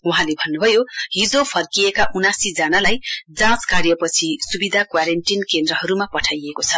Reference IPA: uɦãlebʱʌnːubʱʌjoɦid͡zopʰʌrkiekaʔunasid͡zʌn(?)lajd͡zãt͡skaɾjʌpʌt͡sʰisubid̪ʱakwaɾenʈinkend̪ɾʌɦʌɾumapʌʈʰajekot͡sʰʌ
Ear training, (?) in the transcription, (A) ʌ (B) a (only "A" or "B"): B